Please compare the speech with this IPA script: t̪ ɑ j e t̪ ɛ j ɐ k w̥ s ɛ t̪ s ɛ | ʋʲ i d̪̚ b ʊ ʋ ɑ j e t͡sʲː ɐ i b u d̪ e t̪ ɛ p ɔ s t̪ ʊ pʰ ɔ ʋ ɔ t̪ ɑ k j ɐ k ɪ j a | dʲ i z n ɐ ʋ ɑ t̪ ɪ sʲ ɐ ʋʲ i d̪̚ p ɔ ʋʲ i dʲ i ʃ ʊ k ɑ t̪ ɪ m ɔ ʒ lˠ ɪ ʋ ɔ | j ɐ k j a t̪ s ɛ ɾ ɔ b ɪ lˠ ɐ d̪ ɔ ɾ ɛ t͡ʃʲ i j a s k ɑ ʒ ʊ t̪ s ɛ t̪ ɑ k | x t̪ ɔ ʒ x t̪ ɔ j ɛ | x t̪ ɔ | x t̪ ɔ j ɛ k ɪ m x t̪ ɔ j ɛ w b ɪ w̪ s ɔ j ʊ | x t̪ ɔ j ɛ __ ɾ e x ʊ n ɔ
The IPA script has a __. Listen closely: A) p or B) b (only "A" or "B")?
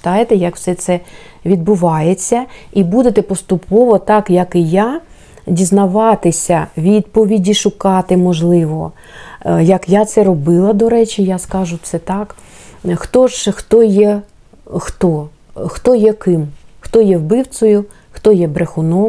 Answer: B